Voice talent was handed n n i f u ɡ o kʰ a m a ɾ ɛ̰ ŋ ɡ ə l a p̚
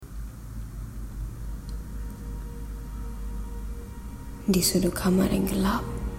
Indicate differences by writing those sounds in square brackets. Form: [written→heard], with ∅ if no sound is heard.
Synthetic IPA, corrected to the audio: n [n→d] i [f→s] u [ɡ→d] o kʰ a m a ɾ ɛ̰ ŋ ɡ ə l a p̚